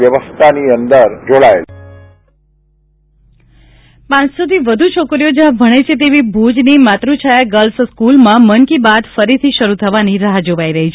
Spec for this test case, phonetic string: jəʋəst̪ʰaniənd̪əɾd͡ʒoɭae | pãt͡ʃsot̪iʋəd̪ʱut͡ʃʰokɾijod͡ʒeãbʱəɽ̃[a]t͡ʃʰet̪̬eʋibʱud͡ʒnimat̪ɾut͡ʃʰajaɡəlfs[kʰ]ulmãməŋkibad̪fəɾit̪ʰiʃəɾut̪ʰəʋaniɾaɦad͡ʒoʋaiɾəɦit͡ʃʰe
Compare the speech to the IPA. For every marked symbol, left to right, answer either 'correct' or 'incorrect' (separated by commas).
incorrect, incorrect